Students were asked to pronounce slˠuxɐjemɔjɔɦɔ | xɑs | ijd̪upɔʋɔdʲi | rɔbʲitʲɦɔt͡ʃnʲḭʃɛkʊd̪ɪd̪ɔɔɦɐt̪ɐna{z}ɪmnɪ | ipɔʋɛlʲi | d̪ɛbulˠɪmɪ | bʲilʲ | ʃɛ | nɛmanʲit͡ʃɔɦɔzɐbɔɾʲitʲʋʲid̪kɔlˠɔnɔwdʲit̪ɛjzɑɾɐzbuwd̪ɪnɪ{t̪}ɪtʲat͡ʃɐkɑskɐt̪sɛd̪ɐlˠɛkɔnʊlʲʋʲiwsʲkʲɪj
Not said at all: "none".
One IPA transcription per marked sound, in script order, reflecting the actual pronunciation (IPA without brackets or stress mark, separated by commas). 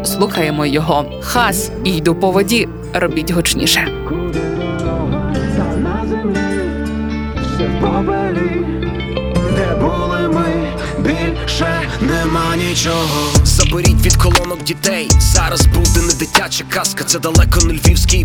z, d̪